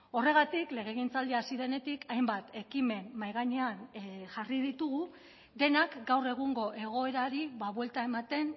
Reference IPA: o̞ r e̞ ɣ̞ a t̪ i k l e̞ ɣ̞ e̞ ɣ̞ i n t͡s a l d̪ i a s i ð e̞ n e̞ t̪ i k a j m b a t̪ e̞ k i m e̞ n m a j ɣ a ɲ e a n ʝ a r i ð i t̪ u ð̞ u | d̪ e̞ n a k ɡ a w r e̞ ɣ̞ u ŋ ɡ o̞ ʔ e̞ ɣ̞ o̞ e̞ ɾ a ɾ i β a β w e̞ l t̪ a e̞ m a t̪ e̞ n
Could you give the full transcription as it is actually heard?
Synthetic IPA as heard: o̞ r e̞ ɣ̞ a t̪ i k l e̞ ɣ̞ e̞ ɣ̞ i n t͡s a l d̪ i a s i ð e̞ n e̞ t̪ i k a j m b a t̪ e̞ k i m e̞ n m a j ɣ a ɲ e a n ʝ a r i ð i t̪ u ɣ̞ u | d̪ e̞ n a k ɡ a w r e̞ ɣ̞ u ŋ ɡ o̞ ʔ e̞ ɣ̞ o̞ e̞ ɾ a ɾ i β a β w e̞ l t̪ a e̞ m a t̪ e̞ n